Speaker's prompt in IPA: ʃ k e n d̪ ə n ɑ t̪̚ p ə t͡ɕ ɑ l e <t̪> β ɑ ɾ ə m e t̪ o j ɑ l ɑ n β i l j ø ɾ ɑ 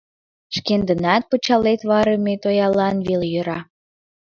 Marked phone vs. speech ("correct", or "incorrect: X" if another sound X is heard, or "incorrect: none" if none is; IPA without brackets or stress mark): correct